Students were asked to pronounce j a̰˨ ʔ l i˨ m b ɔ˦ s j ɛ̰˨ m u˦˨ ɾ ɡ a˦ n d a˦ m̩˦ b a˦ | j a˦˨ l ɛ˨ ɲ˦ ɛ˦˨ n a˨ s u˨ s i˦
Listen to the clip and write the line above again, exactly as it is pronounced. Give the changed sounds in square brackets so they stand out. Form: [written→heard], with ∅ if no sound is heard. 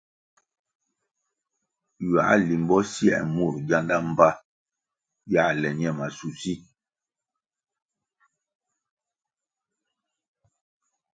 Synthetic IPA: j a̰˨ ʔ l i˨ m b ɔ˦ s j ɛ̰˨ m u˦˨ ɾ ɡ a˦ n d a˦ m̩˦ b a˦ | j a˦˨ l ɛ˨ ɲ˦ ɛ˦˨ [n→m] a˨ s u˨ s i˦